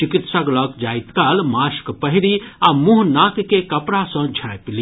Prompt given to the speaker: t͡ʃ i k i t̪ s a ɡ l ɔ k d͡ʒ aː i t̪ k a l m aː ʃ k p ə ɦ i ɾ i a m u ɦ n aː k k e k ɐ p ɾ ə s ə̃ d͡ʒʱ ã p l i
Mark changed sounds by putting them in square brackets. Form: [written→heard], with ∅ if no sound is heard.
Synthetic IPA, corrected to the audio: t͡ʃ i k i t̪ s a ɡ l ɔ k d͡ʒ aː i t̪ k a l m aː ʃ k p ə ɦ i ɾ i a m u ɦ n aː k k e k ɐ p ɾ [ə→a] s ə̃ d͡ʒʱ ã p l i